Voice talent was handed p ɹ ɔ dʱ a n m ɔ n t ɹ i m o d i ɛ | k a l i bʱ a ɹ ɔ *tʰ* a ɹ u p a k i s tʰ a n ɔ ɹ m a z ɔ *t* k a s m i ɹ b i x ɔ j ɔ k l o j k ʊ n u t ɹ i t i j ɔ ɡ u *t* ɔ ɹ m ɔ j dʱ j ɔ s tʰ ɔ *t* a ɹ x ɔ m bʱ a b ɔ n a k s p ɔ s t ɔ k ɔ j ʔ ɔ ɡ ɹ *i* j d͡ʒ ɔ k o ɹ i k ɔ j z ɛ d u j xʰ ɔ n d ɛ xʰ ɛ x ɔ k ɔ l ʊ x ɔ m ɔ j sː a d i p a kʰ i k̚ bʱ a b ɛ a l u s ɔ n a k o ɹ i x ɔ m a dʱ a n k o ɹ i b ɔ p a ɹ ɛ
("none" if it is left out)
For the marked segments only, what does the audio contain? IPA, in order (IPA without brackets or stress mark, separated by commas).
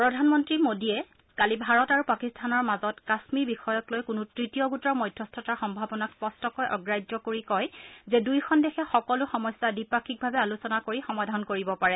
t, t, t, t, a